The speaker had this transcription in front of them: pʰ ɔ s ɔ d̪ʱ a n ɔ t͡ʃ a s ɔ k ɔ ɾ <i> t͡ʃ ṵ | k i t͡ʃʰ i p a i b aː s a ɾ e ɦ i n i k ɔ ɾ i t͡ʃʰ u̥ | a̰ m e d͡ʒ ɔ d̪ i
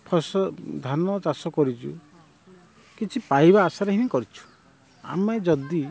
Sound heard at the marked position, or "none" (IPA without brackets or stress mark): i